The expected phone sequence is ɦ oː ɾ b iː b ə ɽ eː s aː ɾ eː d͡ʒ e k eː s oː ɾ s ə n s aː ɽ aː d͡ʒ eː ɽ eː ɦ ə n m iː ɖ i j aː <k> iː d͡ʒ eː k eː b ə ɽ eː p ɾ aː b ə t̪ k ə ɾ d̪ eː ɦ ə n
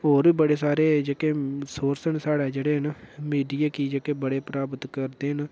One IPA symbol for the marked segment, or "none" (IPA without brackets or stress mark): k